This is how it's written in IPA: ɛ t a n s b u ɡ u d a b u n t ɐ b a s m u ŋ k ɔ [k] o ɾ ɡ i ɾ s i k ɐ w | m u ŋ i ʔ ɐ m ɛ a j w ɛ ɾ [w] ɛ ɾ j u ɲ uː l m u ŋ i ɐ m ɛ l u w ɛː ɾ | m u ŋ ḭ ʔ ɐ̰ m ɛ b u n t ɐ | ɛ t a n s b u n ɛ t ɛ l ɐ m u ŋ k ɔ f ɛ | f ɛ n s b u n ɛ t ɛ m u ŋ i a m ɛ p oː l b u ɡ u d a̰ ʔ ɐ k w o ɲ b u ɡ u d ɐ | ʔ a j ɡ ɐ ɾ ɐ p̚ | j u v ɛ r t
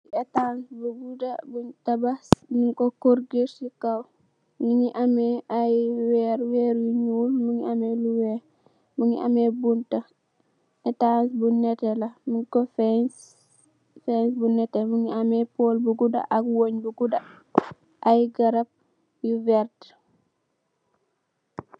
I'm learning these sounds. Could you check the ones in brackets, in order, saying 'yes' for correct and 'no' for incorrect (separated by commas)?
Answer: yes, yes